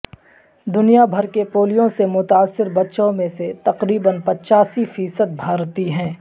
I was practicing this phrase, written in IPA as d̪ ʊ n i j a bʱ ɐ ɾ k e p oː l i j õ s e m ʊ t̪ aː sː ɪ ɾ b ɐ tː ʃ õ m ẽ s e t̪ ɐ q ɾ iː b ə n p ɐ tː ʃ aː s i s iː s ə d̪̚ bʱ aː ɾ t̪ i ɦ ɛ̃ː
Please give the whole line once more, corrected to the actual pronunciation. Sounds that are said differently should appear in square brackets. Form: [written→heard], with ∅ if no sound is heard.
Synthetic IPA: d̪ ʊ n i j a bʱ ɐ ɾ k e p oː l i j õ s e m ʊ t̪ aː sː ɪ ɾ b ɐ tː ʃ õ m ẽ s e t̪ ɐ q ɾ iː b ə n p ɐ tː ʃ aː s i [s→f] iː s ə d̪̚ bʱ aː ɾ t̪ i ɦ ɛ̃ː